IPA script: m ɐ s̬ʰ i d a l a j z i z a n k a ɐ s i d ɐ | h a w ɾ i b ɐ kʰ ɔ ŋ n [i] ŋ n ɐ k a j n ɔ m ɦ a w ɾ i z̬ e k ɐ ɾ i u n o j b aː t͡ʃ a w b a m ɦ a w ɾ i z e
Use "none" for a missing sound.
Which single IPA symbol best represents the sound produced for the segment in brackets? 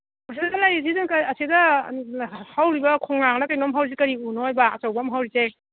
a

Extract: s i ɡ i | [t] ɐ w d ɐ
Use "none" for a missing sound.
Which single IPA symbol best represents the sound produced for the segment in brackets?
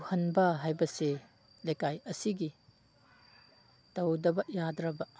t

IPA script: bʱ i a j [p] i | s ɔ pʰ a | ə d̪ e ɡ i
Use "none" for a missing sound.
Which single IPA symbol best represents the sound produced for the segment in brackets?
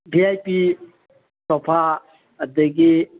p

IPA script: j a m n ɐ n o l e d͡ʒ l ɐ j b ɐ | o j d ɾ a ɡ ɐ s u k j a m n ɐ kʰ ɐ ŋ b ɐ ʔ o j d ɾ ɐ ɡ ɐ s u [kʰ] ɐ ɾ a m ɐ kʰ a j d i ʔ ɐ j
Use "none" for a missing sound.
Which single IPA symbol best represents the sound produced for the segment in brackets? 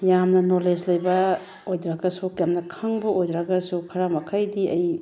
kʰ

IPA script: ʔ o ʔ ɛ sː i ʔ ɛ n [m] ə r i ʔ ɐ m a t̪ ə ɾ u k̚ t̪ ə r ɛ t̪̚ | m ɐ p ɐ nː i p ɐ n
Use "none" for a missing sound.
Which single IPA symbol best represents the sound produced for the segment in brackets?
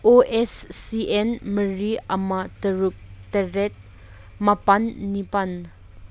m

